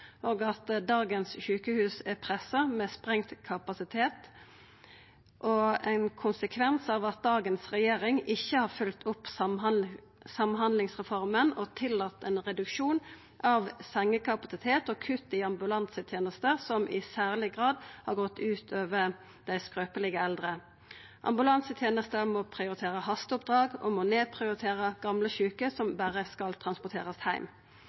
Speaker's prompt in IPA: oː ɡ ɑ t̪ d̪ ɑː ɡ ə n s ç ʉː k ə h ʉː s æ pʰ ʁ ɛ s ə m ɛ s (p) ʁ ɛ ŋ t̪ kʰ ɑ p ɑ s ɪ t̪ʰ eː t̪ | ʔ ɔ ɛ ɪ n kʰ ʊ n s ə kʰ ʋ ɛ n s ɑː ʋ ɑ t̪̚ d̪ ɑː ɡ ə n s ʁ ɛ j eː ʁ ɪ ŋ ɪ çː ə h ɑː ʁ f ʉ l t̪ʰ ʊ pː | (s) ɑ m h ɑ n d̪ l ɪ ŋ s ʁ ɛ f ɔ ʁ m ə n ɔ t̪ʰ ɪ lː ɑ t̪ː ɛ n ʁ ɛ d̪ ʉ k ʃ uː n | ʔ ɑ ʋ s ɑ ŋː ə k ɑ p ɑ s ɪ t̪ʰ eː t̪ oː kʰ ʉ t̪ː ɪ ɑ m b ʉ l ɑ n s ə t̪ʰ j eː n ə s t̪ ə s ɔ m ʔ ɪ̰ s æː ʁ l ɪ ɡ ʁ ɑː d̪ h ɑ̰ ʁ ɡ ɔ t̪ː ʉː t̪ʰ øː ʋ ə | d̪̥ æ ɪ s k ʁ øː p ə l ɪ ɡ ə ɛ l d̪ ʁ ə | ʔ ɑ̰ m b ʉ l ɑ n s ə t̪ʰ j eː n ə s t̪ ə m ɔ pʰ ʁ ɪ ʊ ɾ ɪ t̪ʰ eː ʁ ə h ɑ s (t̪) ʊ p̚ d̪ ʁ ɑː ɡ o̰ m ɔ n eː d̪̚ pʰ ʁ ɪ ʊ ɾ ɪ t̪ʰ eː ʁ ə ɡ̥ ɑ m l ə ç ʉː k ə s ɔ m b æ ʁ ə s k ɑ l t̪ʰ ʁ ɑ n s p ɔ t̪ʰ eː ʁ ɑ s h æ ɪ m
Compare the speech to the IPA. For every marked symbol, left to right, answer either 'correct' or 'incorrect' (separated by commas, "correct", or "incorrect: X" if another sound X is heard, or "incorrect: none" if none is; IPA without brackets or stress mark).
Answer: correct, correct, correct